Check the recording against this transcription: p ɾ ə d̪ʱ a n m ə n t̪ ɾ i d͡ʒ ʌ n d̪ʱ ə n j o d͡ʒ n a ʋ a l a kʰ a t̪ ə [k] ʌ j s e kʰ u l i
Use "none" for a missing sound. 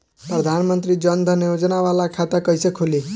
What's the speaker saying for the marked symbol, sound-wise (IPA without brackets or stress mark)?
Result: k